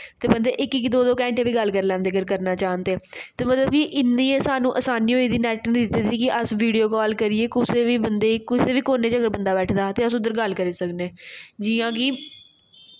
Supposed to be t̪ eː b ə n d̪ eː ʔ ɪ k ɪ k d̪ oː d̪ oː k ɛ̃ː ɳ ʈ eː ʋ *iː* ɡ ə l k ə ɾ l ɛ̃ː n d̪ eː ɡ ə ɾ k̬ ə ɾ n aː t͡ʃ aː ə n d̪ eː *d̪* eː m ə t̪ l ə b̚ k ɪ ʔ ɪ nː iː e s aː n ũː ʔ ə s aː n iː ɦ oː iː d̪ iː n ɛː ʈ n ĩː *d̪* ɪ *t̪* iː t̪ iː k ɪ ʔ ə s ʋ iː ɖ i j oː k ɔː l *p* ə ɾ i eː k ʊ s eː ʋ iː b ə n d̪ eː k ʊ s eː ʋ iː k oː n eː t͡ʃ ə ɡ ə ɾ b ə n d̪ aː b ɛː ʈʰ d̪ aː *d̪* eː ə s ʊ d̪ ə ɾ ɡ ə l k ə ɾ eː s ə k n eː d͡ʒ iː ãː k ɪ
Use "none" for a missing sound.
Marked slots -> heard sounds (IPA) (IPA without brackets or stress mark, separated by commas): iː, t̪, d̪, t̪, k, t̪